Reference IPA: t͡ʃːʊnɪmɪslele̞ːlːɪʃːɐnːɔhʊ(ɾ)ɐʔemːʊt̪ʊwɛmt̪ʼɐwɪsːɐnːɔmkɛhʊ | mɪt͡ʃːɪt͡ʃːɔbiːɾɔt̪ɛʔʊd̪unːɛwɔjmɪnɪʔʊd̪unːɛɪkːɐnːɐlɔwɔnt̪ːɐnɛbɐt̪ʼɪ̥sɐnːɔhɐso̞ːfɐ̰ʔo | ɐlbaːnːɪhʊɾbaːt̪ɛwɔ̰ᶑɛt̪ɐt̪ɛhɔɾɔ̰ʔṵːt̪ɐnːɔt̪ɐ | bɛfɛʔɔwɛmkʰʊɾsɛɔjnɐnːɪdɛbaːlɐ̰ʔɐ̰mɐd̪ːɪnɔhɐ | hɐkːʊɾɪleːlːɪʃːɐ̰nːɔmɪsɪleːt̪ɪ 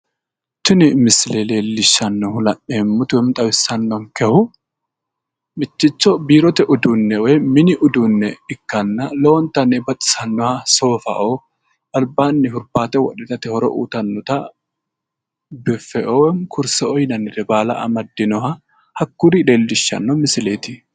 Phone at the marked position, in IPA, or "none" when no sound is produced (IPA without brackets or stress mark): l